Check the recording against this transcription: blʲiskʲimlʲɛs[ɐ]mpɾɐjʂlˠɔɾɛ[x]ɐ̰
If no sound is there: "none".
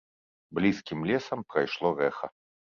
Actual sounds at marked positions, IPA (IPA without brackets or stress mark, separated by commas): ɐ, x